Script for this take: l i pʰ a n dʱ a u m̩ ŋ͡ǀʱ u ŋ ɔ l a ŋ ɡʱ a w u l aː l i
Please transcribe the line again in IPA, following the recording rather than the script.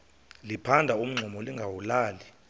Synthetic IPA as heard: l i pʰ a n dʱ a u m̩ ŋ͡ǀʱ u m ɔ l i ŋ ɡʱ a w u l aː l i